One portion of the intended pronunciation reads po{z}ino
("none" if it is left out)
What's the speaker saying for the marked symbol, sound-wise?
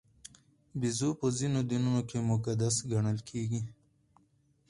z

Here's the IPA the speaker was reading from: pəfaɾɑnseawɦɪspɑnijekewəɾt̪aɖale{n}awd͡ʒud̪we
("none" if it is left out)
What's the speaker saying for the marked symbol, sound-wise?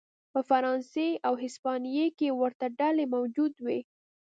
m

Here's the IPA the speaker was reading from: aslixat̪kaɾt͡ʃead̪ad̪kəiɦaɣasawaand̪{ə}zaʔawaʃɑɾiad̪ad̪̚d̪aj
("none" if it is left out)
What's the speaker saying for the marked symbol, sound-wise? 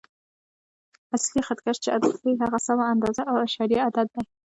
ɑ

